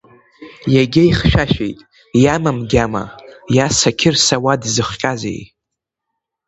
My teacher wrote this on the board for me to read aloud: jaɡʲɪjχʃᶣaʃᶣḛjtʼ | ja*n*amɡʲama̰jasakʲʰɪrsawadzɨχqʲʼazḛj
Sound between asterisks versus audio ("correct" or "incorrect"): incorrect